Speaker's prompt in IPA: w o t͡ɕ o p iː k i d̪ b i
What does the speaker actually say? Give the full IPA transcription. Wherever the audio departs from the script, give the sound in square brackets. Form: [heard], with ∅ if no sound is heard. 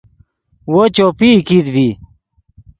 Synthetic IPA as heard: w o t͡ɕ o p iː k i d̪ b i